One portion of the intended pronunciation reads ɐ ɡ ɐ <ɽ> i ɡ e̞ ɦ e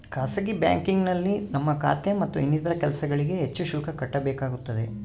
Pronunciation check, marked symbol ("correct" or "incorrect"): incorrect